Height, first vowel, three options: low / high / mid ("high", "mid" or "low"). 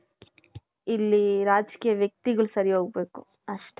high